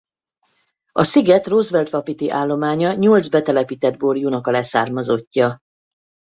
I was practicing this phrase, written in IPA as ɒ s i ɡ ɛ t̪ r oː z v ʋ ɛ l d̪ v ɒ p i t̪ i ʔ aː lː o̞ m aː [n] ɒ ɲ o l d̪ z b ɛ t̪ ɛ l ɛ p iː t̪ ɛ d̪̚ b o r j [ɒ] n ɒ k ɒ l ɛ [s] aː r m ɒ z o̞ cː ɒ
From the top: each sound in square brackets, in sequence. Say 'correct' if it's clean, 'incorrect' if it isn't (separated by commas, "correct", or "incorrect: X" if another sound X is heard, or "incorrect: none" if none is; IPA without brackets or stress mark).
incorrect: ɲ, incorrect: u, correct